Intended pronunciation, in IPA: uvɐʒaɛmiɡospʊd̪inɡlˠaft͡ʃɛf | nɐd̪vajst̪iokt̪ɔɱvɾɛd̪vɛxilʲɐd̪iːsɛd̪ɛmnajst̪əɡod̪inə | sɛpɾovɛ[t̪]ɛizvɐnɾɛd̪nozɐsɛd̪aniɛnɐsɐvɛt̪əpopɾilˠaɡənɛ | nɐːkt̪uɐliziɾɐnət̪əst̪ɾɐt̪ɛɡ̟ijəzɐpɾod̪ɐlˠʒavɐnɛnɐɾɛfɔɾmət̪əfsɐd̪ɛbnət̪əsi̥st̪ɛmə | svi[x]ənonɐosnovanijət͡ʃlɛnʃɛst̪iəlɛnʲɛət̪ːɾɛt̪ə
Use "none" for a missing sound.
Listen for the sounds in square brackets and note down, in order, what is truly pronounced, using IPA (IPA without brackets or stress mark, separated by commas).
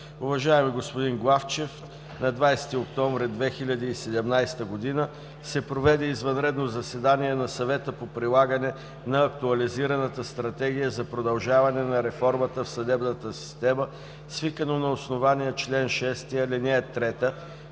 d̪, k